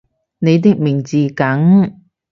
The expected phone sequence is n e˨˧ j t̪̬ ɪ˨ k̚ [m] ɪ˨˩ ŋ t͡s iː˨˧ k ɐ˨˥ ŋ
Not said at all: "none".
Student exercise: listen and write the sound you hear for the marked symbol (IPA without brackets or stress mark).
m